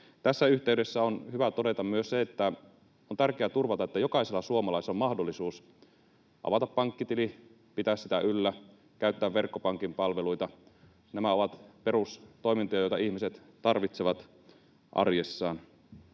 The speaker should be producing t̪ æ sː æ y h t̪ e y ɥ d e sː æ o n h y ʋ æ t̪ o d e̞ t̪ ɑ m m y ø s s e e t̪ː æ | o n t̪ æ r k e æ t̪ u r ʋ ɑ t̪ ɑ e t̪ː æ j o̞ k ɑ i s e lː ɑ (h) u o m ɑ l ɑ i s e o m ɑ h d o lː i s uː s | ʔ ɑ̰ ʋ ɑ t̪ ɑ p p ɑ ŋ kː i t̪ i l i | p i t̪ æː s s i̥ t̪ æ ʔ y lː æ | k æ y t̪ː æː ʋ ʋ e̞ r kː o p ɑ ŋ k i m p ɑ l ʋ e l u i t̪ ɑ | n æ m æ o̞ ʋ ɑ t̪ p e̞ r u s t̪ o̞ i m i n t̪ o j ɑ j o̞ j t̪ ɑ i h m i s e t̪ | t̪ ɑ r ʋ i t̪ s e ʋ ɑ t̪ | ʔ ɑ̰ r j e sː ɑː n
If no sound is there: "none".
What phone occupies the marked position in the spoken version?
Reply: s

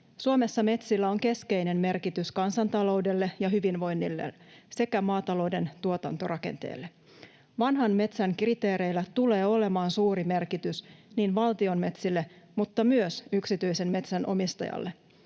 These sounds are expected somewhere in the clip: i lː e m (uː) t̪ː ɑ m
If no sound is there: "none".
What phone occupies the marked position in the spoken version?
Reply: u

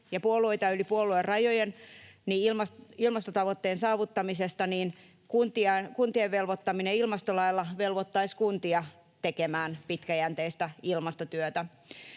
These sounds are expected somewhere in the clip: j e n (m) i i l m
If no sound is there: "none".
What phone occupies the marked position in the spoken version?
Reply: n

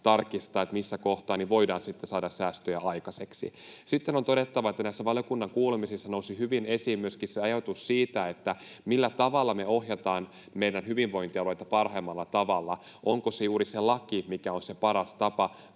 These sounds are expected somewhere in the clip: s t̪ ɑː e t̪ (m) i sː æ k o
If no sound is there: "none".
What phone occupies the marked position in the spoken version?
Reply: m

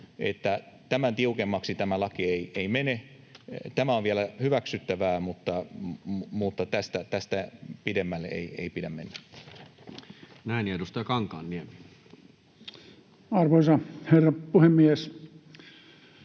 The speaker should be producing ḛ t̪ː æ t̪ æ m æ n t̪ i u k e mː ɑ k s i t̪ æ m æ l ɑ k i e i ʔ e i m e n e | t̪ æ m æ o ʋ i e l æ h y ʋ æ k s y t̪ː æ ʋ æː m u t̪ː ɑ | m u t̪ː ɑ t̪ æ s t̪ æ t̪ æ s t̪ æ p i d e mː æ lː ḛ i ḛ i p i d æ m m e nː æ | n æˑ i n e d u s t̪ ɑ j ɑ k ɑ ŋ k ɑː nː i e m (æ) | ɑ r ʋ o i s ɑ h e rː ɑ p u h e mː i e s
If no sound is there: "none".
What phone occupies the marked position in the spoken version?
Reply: i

